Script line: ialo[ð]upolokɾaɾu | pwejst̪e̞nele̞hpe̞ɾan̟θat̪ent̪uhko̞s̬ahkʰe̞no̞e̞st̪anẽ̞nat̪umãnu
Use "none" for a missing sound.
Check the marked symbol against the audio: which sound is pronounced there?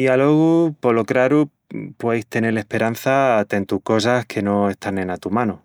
ɣ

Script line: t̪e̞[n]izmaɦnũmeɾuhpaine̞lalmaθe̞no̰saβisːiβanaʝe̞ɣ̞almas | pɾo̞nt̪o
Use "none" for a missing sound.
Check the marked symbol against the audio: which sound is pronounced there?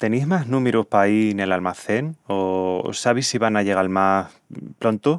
n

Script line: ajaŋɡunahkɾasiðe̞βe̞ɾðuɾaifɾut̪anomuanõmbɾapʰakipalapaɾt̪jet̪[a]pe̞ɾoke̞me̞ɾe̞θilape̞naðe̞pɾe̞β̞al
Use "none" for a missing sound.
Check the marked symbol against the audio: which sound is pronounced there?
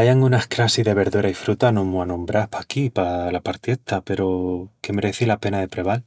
a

